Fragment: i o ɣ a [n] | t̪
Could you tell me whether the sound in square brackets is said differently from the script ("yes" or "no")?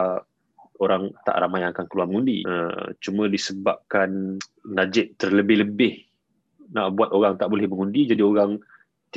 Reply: yes